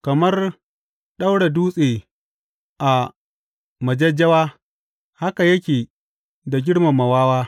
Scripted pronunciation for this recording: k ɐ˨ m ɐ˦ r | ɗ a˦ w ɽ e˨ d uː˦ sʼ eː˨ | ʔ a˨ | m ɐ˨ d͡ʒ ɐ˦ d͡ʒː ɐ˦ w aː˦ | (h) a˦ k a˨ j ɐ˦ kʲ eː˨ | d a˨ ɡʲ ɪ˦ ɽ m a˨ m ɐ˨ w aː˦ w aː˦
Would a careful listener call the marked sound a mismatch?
no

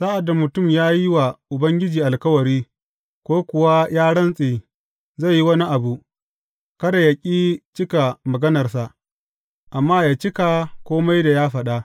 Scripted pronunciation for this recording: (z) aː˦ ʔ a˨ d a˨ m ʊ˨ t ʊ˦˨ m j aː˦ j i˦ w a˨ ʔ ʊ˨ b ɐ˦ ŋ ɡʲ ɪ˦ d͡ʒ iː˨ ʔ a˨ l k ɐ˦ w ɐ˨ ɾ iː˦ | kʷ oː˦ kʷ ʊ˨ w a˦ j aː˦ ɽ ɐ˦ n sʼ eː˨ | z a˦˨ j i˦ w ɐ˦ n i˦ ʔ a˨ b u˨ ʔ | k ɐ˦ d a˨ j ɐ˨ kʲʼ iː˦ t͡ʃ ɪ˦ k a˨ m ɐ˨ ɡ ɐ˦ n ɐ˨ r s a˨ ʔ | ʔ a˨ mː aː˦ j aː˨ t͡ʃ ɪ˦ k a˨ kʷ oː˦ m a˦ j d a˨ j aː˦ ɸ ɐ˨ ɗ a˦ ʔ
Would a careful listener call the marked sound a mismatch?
yes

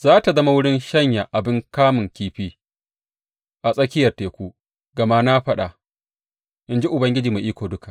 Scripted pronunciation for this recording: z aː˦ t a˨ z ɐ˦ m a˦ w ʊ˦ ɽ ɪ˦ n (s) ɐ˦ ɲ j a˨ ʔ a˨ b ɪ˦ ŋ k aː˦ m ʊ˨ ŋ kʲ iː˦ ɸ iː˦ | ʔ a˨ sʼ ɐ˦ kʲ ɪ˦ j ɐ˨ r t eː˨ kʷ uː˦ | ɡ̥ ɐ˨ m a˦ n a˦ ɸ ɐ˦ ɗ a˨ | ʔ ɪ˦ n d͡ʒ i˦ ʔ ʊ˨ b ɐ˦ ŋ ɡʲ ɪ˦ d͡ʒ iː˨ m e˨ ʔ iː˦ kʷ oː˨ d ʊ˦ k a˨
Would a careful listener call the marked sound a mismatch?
yes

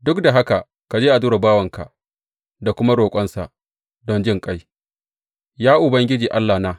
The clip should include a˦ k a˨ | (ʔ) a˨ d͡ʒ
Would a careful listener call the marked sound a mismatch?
yes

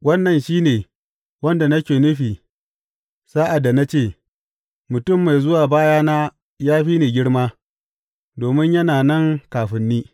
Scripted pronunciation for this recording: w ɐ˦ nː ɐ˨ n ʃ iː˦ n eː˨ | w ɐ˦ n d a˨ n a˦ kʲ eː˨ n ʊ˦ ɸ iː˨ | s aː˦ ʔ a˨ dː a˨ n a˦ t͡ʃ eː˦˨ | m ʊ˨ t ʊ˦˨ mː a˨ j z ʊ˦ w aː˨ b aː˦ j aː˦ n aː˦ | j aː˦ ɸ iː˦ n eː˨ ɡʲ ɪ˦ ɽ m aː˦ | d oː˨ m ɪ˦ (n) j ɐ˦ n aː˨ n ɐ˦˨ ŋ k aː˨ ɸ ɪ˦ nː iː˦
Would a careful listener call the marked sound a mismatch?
yes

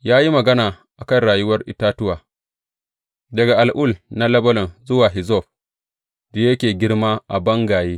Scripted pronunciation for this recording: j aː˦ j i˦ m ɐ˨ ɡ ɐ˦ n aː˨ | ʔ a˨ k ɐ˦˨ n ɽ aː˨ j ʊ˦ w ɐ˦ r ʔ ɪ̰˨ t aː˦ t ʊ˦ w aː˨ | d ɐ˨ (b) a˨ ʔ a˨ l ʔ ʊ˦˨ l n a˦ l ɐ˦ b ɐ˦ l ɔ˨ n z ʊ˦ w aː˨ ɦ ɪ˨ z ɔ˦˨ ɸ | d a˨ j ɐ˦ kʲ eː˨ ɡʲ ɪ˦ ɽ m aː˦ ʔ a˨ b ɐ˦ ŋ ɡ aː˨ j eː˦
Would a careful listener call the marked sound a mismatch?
yes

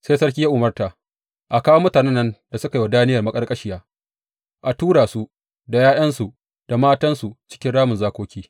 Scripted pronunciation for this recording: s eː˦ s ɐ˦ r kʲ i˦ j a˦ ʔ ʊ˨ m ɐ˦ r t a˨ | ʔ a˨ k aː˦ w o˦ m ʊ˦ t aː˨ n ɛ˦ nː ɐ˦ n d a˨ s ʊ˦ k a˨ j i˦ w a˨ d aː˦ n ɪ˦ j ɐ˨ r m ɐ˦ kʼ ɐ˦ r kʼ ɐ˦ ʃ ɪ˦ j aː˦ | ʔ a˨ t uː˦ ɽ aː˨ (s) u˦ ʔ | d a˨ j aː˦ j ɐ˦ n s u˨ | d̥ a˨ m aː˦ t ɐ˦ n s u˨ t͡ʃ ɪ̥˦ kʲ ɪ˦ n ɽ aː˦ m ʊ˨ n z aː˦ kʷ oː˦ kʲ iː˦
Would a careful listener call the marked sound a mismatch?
no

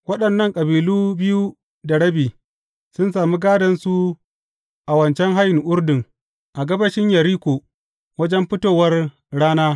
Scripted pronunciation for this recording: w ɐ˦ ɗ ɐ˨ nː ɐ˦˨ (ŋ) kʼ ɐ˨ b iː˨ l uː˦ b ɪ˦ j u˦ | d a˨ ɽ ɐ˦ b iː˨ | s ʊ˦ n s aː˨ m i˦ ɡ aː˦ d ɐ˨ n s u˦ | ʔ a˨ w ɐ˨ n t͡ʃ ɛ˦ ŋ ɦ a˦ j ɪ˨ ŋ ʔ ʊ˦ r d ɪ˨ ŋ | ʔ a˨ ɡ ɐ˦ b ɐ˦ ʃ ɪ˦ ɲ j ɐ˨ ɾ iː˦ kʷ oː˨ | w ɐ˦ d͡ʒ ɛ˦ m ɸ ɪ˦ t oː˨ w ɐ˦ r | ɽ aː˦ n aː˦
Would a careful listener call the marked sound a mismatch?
no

